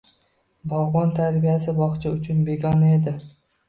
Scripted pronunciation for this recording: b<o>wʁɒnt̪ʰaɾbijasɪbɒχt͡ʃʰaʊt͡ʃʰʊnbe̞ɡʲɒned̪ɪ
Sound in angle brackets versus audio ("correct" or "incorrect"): incorrect